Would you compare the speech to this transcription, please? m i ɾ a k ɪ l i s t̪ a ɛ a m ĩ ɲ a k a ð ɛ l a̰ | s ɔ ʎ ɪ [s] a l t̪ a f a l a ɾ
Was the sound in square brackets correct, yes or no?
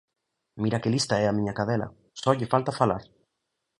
no